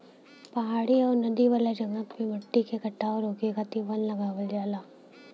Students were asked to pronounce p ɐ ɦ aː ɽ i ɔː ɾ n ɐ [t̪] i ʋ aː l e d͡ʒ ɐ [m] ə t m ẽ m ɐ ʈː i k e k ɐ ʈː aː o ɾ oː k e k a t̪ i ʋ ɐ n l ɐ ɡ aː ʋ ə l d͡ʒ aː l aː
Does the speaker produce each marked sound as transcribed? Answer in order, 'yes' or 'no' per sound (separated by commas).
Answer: no, no